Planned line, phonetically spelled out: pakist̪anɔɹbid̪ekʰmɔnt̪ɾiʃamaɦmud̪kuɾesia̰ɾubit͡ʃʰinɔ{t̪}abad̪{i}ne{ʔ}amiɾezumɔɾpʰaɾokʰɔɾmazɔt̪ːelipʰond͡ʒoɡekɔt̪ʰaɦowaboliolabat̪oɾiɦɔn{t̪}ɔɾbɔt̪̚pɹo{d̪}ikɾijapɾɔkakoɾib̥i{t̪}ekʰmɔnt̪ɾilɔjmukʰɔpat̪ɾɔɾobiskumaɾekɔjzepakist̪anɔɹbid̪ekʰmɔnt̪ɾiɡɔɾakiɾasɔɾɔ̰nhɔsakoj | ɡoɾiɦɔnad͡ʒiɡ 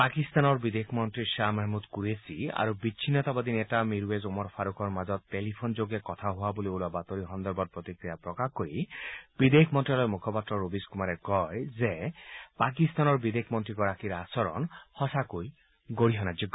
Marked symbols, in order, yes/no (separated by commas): yes, yes, no, no, no, no